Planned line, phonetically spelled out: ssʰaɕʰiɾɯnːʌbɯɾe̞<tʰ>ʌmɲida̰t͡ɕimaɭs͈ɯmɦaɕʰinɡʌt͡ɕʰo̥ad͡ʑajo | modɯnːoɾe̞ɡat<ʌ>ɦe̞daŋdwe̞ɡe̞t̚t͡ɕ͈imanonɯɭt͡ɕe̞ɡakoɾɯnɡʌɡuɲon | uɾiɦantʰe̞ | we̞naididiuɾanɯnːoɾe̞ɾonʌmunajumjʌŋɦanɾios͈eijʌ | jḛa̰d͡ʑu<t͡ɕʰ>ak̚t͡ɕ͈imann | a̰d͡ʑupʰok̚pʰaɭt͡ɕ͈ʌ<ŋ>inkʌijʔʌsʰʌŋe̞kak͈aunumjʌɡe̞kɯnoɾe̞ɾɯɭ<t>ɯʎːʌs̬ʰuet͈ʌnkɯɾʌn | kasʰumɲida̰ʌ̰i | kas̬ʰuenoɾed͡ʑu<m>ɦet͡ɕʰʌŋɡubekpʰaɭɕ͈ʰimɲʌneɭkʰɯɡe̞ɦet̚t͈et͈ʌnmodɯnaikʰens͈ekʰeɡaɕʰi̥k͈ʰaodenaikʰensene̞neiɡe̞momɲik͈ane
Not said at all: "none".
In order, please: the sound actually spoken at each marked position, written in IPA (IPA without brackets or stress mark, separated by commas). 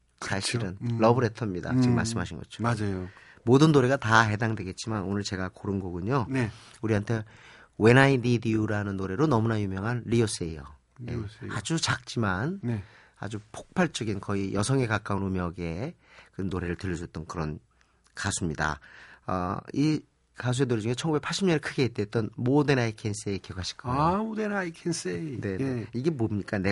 tʰ, a, t͡ɕ, ɡ, t, ŋ